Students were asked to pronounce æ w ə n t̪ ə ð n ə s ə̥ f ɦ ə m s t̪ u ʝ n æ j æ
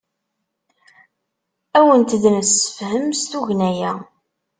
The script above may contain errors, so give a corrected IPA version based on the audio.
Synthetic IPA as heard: æ w ə n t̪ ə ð n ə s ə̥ f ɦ ə m s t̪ u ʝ n æ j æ